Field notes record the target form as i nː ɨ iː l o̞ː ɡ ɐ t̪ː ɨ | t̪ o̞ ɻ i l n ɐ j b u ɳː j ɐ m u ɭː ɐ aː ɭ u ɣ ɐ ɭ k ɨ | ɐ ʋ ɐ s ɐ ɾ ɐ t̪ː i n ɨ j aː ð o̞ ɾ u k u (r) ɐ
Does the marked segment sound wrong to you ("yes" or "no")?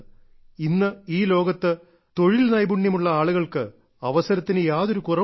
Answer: no